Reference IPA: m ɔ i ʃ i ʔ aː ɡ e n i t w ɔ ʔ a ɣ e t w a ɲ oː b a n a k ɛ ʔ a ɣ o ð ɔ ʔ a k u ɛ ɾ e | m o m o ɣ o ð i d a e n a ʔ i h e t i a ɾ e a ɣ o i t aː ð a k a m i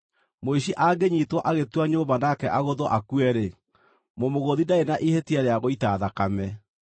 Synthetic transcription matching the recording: m o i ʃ i ʔ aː ɡ e ɲ i t w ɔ ʔ a ɣ e t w a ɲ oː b a n a k ɛ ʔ a ɣ o ð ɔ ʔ a k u ɛ ɾ e | m o m o ɣ o ð i d a e n a ʔ i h e t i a ɾ e a ɣ o i t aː ð a k a m ɛ